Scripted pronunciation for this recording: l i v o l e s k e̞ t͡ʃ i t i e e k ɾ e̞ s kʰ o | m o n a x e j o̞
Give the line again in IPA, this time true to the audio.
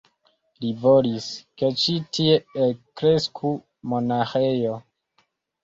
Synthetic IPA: l i v o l i s k e̞ t͡ʃ i t i e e k ɾ e̞ s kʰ u | m o n a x e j o̞